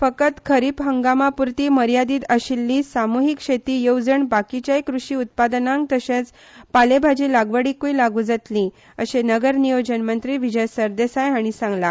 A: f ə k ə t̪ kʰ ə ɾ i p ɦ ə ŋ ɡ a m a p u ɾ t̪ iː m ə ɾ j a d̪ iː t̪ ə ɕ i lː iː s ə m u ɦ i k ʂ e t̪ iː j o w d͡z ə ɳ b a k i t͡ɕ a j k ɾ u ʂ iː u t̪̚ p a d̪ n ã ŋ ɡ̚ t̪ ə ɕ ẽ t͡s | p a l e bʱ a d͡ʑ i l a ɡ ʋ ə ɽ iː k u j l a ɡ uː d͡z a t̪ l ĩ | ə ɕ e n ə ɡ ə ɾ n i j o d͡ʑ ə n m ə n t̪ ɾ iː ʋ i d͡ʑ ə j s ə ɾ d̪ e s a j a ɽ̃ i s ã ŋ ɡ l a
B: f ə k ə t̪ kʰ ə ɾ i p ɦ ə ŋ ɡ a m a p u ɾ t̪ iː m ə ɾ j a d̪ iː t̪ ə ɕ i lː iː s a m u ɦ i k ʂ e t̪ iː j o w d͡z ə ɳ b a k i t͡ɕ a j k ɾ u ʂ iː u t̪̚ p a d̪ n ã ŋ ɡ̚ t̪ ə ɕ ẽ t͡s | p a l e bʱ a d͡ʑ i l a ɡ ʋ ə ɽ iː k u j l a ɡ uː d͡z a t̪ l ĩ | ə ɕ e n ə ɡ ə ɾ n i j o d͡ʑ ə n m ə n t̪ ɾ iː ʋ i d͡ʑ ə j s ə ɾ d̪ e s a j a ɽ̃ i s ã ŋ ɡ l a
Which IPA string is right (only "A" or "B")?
B